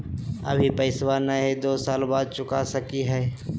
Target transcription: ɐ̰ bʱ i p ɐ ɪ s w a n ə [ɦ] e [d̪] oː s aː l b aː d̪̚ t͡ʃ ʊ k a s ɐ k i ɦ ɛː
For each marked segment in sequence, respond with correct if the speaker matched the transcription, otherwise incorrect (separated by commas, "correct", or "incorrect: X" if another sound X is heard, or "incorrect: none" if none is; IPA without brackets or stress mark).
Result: correct, correct